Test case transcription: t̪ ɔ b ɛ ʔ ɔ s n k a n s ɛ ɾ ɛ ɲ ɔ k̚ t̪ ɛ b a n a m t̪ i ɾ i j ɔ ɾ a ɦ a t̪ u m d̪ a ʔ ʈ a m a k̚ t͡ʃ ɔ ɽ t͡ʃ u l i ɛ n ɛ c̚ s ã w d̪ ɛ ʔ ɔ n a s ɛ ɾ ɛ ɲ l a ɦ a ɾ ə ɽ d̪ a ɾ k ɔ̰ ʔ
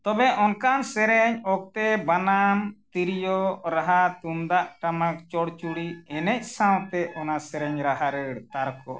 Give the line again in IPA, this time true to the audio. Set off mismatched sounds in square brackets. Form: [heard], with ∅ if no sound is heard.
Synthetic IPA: t̪ ɔ b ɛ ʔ ɔ [∅] n k a n s ɛ ɾ ɛ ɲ ɔ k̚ t̪ ɛ b a n a m t̪ i ɾ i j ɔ ɾ a ɦ a t̪ u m d̪ a ʔ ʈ a m a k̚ t͡ʃ ɔ ɽ t͡ʃ u [ɽ] i ɛ n ɛ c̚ s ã w [t̪] ɛ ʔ ɔ n a s ɛ ɾ ɛ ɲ [ɾ] a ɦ a ɾ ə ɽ [t̪] a ɾ k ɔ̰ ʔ